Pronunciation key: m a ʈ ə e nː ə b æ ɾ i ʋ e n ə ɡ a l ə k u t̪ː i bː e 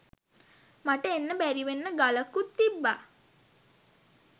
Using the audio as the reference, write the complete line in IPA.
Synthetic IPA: m a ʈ ə e nː ə b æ ɾ i ʋ e nː ə ɡ a l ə k u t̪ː i bː a